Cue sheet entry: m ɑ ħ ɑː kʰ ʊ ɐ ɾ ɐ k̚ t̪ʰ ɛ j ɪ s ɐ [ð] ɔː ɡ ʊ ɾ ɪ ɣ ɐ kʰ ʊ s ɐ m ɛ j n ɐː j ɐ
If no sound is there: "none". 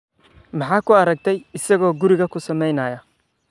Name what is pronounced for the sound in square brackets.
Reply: ɣ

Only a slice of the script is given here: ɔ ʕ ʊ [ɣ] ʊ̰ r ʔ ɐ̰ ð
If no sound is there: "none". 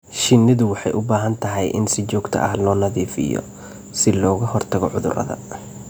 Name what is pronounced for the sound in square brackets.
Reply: ð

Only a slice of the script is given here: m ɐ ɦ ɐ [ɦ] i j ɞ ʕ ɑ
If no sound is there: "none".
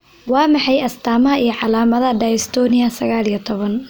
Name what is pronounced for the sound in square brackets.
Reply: none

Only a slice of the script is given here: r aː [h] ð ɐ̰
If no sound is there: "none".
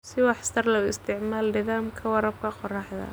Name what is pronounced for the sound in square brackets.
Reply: ħ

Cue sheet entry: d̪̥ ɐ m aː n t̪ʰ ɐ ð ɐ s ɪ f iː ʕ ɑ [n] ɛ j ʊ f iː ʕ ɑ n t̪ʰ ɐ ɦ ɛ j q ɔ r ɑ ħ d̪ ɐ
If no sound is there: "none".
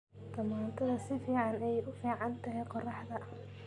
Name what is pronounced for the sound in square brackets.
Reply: n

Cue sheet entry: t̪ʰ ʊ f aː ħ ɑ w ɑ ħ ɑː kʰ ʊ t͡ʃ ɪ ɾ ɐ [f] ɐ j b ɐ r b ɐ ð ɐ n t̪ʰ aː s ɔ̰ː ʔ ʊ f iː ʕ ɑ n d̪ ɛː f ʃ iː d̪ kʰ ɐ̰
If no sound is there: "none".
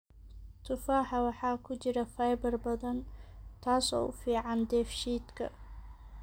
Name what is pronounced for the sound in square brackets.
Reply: f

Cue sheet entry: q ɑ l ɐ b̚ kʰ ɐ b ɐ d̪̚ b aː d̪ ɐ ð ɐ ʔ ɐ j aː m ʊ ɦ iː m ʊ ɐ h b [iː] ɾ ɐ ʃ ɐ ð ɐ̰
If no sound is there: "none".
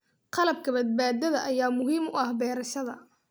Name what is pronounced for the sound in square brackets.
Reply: ɛː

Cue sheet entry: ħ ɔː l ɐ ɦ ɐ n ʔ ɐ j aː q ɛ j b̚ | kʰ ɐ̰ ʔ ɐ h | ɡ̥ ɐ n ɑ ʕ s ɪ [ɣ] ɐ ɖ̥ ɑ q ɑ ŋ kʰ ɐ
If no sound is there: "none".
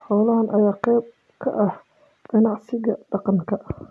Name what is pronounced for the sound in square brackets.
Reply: ɣ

